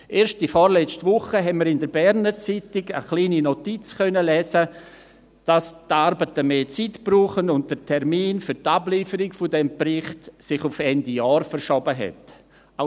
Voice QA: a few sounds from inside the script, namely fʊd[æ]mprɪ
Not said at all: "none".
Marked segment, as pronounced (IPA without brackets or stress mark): ɛ